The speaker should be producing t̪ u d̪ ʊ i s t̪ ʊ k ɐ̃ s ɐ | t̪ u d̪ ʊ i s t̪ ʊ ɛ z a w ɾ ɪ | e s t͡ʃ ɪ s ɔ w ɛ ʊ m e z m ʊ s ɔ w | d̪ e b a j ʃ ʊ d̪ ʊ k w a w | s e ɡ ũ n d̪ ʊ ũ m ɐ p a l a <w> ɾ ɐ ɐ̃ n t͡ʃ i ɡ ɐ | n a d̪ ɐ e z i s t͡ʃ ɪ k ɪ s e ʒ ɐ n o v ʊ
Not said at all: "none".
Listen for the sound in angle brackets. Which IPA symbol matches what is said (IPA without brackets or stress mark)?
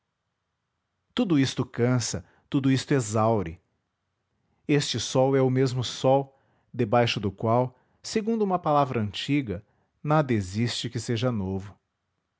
v